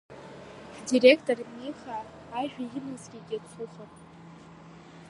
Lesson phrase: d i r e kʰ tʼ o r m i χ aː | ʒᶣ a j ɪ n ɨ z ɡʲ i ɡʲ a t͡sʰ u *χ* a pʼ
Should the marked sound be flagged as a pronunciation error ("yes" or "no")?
no